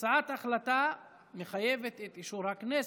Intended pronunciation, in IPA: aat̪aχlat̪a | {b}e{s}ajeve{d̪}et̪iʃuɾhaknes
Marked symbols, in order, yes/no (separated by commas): no, no, no